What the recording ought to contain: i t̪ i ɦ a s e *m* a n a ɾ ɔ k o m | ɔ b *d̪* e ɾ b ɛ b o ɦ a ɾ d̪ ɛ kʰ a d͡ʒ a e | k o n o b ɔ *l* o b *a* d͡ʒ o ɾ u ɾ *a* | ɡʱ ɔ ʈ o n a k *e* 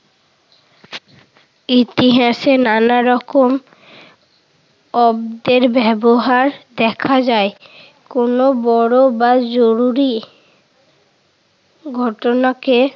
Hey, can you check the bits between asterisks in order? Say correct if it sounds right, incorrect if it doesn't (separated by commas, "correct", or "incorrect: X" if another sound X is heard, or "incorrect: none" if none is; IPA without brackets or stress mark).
incorrect: n, correct, incorrect: ɽ, correct, incorrect: i, correct